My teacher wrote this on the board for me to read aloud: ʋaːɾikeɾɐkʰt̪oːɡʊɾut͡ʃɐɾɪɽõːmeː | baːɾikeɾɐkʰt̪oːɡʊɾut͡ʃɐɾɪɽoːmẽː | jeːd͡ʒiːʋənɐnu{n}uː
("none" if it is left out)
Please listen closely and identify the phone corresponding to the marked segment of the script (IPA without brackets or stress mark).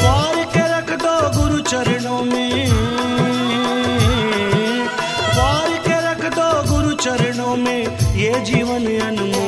m